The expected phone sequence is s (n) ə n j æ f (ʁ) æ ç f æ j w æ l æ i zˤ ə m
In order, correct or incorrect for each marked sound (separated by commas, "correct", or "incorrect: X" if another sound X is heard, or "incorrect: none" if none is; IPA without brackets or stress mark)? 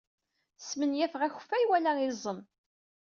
incorrect: m, correct